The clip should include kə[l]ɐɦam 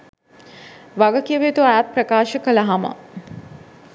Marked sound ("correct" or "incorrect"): correct